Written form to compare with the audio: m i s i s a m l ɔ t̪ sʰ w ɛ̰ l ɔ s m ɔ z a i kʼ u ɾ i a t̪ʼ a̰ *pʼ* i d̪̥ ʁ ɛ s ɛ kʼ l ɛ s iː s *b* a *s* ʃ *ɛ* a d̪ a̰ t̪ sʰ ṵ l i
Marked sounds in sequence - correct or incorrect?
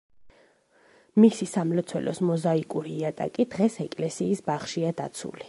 incorrect: kʼ, correct, incorrect: χ, incorrect: i

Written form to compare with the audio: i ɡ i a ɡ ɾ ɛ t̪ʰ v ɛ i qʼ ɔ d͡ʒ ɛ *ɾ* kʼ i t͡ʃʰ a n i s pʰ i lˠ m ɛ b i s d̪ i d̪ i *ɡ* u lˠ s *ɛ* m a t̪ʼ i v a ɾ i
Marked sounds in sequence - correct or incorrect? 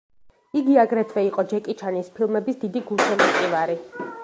incorrect: none, correct, correct

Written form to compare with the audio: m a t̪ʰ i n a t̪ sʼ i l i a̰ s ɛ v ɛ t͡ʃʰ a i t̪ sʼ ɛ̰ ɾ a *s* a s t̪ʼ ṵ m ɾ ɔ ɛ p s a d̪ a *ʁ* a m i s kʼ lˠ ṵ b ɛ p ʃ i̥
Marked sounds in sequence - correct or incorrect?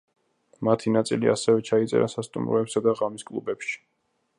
correct, correct

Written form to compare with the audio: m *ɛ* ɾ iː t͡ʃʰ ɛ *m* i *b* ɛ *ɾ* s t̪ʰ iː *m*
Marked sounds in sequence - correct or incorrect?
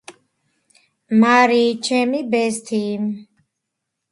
incorrect: a, correct, correct, incorrect: none, correct

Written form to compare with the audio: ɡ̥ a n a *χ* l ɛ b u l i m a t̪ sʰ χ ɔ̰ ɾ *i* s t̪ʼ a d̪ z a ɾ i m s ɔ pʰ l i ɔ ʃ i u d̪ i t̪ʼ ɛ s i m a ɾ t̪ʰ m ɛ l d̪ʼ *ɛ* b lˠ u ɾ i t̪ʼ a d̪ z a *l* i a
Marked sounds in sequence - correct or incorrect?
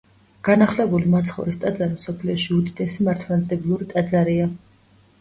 correct, correct, correct, incorrect: ɾ

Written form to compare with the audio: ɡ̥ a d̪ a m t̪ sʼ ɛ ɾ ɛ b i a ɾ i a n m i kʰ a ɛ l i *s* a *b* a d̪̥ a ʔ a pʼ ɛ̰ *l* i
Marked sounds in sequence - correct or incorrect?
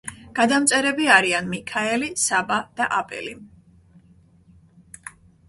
correct, correct, correct

